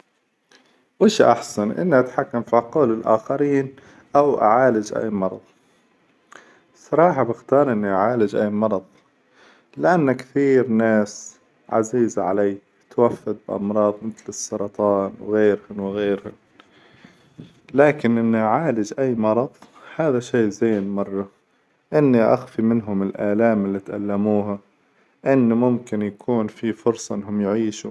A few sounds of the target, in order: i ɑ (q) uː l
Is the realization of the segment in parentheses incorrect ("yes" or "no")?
no